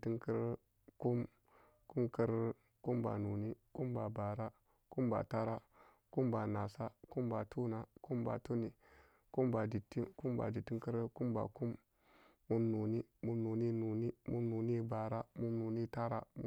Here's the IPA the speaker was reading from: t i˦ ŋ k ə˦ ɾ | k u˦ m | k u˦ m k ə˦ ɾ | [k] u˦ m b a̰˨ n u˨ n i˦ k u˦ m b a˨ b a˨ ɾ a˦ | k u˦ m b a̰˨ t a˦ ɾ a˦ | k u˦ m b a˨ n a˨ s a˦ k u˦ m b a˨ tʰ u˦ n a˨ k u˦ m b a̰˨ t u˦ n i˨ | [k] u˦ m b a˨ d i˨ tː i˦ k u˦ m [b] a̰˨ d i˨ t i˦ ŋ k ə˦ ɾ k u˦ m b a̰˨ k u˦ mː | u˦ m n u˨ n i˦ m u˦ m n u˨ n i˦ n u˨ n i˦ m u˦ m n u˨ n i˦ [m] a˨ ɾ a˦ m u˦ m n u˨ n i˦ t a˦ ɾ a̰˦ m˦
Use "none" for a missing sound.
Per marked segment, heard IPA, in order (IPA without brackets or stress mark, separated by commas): k, k, b, b